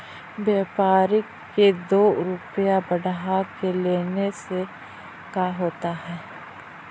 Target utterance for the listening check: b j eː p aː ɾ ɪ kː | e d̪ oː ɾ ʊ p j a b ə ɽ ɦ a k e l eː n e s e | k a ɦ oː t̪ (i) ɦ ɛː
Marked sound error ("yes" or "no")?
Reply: yes